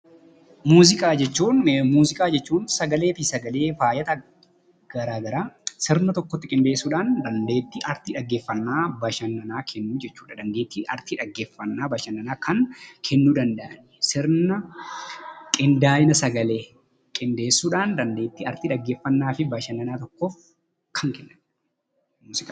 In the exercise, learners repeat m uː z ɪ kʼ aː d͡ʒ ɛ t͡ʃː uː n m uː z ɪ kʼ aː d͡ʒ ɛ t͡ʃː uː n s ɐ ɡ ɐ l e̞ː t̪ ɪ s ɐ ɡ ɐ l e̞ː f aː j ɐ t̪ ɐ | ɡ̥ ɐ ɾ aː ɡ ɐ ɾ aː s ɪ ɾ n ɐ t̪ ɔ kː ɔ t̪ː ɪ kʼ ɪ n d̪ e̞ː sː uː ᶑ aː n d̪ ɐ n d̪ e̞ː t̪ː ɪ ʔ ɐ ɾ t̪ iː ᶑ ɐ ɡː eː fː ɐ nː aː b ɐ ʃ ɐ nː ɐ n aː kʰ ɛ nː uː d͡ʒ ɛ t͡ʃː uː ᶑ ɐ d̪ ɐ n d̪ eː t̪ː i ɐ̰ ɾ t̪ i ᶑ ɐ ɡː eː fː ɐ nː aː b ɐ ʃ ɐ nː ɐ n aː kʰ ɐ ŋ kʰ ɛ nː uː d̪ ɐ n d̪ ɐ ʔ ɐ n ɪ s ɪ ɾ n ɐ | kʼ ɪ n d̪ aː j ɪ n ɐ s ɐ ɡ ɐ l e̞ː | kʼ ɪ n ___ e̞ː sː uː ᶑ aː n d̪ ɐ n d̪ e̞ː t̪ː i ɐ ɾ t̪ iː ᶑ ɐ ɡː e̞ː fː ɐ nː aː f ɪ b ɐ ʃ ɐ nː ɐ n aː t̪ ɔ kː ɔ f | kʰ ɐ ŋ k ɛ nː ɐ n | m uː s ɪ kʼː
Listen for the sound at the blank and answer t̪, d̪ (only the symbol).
d̪